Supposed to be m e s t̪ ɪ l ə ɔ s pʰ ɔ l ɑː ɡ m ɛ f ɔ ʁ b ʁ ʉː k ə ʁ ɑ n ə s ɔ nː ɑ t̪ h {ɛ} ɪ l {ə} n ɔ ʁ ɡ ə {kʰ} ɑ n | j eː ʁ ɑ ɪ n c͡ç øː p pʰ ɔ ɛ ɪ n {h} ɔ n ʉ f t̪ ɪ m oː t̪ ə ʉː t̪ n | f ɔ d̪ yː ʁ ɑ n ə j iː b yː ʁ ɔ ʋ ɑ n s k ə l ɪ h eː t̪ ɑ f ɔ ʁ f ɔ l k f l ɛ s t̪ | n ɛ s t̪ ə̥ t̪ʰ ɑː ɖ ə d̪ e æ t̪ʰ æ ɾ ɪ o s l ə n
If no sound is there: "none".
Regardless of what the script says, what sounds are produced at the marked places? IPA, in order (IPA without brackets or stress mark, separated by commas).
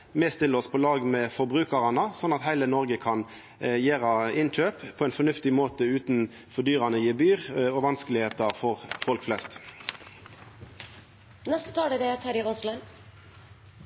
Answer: æ, ə, kʰ, f